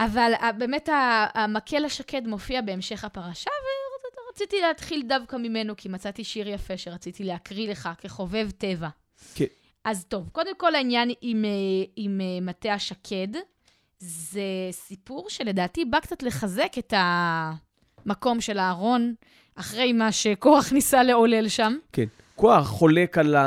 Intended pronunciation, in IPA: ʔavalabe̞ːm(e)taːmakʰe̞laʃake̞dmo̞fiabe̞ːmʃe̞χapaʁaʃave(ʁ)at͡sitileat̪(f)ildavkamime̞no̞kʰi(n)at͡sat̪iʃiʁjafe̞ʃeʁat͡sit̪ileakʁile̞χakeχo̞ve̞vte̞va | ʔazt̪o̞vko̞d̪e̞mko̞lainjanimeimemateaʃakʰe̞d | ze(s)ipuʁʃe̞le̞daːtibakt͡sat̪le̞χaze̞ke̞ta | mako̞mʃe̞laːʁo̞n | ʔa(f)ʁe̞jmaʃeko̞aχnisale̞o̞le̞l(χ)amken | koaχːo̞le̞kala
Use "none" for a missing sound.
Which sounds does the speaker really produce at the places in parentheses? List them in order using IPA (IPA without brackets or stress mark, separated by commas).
e, ʁ, χ, m, s, χ, ʃ